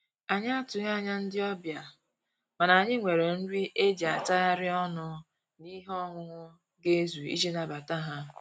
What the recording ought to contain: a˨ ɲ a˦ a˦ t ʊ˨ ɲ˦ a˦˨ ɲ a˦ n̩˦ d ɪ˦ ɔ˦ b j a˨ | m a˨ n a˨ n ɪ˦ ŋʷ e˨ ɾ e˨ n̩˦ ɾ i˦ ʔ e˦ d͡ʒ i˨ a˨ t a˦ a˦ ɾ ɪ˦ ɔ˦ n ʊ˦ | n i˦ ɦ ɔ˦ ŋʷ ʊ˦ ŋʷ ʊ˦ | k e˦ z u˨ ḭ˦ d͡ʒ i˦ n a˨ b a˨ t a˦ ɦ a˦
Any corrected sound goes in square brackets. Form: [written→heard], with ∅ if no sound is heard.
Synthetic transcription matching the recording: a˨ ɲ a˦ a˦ t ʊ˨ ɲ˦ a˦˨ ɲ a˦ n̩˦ d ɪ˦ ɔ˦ b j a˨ | m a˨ n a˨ [n→ɲ] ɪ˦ ŋʷ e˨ ɾ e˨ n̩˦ ɾ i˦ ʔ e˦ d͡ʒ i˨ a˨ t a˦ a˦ ɾ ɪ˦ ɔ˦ n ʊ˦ | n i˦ ɦ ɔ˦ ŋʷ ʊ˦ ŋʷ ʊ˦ | [k→ɡ] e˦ z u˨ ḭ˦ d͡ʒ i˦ n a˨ b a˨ t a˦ ɦ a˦